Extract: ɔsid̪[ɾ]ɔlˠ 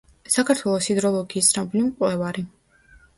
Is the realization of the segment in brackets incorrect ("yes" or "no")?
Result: no